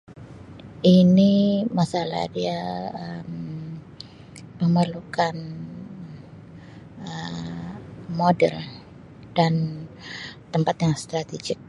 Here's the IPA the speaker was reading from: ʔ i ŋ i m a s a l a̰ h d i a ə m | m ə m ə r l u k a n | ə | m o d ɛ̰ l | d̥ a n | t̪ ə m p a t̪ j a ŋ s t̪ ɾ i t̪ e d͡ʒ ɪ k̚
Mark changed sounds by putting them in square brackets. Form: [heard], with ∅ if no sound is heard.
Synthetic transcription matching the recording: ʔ i [n] i m a s a l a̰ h d i a ə m | m ə m ə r l u k a n | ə | m o d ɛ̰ l | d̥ a n | t̪ ə m p a t̪ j a ŋ s t̪ ɾ [a] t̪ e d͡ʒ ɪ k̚